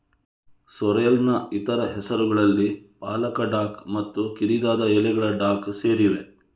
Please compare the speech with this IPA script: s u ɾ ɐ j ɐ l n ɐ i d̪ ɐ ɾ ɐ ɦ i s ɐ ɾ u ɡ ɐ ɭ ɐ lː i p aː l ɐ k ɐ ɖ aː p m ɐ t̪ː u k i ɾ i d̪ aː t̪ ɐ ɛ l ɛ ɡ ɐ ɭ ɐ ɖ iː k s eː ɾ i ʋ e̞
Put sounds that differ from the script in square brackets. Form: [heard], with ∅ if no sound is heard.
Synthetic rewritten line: s [ɔ] ɾ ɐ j ɐ l n ɐ i [t̪] ɐ ɾ ɐ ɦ [ɛ] s ɐ ɾ u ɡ ɐ ɭ ɐ lː i p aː l ɐ k ɐ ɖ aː [k] m ɐ t̪ː u k i ɾ i d̪ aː [d̪] ɐ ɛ l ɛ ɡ ɐ ɭ ɐ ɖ [aː] k s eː ɾ i ʋ e̞

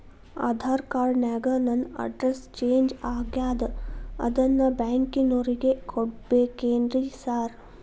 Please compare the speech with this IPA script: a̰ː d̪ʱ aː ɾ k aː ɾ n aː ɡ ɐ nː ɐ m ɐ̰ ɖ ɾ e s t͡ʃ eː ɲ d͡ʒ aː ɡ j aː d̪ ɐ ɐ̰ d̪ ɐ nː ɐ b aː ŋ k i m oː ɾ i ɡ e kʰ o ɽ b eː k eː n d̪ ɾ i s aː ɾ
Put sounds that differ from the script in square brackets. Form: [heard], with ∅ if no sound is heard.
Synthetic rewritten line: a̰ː d̪ʱ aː ɾ k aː ɾ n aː ɡ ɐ [n] ɐ [n] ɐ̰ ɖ ɾ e s t͡ʃ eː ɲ d͡ʒ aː ɡ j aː d̪ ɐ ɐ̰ d̪ ɐ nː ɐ b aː ŋ k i [n] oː ɾ i ɡ e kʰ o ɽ b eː k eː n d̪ ɾ i s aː ɾ

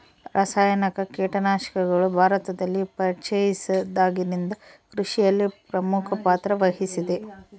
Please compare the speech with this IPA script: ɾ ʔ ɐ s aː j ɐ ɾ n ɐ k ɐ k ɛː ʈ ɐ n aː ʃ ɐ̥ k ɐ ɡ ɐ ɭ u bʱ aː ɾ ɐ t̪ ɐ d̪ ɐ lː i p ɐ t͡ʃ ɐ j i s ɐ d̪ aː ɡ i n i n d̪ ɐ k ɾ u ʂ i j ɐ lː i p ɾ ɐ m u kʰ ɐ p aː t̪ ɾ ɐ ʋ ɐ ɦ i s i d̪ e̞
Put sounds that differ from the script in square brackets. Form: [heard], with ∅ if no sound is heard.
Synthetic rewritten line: ɾ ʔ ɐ s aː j ɐ [∅] n ɐ k ɐ k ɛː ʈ ɐ n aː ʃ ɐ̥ k ɐ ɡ ɐ ɭ u bʱ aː ɾ ɐ t̪ ɐ d̪ ɐ lː i p ɐ t͡ʃ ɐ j i s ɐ d̪ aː ɡ i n i n d̪ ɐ k ɾ u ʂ i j ɐ lː i p ɾ ɐ m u kʰ ɐ p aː t̪ ɾ ɐ ʋ ɐ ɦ i s i d̪ e̞

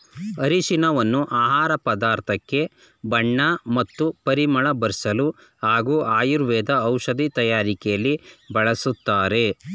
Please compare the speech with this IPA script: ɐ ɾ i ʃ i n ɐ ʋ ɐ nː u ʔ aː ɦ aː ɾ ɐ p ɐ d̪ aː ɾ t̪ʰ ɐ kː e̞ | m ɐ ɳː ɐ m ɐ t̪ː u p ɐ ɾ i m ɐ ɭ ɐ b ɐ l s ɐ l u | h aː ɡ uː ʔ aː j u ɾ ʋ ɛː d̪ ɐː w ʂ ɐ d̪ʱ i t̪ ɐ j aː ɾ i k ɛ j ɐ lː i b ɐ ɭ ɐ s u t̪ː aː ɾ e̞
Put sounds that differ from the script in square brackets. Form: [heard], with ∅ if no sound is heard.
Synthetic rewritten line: ɐ ɾ i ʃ i n ɐ ʋ ɐ nː u ʔ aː ɦ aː ɾ ɐ p ɐ d̪ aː ɾ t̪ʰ ɐ kː e̞ | [b] ɐ ɳː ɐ m ɐ t̪ː u p ɐ ɾ i m ɐ ɭ ɐ b ɐ [ɾ] s ɐ l u | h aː ɡ uː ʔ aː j u ɾ ʋ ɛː d̪ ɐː w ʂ ɐ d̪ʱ i t̪ ɐ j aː ɾ i k ɛ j ɐ lː i b ɐ ɭ ɐ s u t̪ː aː ɾ e̞

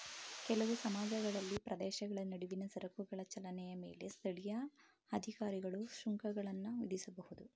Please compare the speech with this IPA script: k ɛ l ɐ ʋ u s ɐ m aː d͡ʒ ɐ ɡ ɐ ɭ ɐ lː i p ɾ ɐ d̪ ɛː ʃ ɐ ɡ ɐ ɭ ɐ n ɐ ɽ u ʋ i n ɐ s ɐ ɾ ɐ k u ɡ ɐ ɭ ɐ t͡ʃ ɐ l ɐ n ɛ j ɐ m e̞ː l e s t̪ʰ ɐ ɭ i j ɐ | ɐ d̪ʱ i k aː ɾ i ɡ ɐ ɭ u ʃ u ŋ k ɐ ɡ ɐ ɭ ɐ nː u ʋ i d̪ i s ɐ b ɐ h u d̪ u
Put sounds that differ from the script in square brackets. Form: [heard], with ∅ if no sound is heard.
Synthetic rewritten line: k ɛ l ɐ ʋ u s ɐ m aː d͡ʒ ɐ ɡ ɐ ɭ ɐ lː i p ɾ ɐ d̪ ɛː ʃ ɐ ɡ ɐ ɭ ɐ n ɐ ɽ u ʋ i n ɐ s ɐ ɾ ɐ k u ɡ ɐ ɭ ɐ t͡ʃ ɐ l ɐ n ɛ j ɐ m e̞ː l e s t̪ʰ ɐ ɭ i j ɐ | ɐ d̪ʱ i k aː ɾ i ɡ ɐ ɭ u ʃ u ŋ k ɐ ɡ ɐ ɭ ɐ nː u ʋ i d̪ i s ɐ b ɐ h u d̪ u

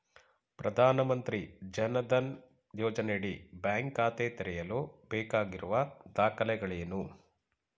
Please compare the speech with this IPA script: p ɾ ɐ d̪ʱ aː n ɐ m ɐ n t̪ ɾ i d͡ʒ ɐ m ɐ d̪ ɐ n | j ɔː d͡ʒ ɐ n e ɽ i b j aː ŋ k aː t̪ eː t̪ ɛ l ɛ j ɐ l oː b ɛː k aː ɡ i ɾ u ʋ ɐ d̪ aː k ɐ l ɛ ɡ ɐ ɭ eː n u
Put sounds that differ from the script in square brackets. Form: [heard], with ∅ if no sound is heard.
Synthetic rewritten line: p ɾ ɐ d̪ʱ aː n ɐ m ɐ n t̪ ɾ i d͡ʒ ɐ [n] ɐ d̪ ɐ n | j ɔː d͡ʒ ɐ n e ɽ i b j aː ŋ k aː t̪ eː t̪ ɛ [ɾ] ɛ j ɐ l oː b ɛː k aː ɡ i ɾ u ʋ ɐ d̪ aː k ɐ l ɛ ɡ ɐ ɭ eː n u

